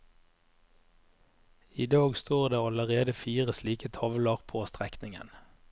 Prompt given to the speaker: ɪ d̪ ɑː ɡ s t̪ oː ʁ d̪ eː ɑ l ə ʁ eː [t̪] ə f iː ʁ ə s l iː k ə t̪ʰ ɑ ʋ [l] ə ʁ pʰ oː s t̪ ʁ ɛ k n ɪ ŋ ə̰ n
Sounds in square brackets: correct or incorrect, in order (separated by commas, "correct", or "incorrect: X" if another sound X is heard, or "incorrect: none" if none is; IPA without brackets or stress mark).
incorrect: d̪, correct